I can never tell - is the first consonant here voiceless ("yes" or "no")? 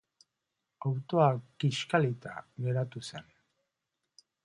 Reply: no